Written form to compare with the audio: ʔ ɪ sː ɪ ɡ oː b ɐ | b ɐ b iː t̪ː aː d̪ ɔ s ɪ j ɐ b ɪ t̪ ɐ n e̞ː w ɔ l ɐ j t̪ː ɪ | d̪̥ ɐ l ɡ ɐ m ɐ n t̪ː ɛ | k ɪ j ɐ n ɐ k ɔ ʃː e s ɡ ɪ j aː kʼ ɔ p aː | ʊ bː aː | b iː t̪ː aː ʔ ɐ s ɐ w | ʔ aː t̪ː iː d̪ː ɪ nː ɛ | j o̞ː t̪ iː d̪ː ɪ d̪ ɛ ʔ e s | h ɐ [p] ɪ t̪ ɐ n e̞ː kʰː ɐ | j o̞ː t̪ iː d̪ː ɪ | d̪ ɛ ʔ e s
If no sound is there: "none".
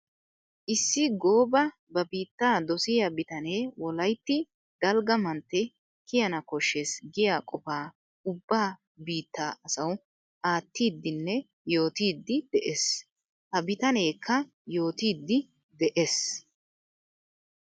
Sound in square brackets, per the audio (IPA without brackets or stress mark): b